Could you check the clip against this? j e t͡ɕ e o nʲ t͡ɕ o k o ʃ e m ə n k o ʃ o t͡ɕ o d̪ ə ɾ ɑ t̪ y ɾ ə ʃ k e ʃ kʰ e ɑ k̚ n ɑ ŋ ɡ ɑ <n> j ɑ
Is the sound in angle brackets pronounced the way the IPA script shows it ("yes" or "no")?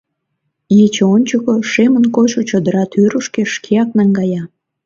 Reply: no